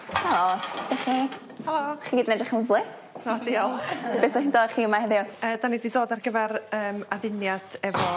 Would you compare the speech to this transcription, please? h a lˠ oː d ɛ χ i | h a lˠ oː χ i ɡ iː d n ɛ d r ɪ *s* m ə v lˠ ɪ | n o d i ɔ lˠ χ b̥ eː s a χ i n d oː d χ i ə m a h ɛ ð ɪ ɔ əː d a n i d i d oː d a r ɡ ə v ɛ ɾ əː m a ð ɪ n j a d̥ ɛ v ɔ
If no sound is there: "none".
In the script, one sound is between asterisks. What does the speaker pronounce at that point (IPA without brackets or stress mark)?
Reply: χ